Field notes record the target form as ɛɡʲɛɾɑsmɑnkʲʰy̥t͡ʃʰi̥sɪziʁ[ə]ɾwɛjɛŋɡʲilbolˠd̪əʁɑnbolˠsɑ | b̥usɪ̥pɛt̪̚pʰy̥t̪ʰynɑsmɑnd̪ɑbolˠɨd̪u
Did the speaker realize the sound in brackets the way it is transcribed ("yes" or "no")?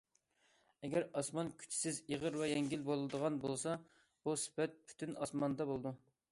yes